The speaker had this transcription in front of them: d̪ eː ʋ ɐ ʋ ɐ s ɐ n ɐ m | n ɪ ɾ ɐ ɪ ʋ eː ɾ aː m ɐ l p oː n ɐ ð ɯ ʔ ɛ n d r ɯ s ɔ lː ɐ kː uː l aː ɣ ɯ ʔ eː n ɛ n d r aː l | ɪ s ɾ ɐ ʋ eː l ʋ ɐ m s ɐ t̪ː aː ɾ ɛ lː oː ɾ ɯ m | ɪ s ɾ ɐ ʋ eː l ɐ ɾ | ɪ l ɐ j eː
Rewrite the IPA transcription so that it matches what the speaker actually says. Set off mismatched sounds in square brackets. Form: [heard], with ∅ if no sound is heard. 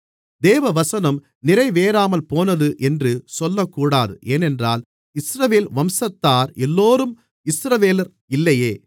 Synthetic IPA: d̪ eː ʋ ɐ ʋ ɐ s ɐ n ɐ m | n ɪ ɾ ɐ ɪ ʋ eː ɾ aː m ɐ l p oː n ɐ ð ɯ ʔ ɛ n d r ɯ s ɔ lː ɐ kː uː [ɽ] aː [ð] ɯ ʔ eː n ɛ n d r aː l | ɪ s ɾ ɐ ʋ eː l ʋ ɐ m s ɐ t̪ː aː ɾ ɛ lː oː ɾ ɯ m | ɪ s ɾ ɐ ʋ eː l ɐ ɾ | ɪ [lː] ɐ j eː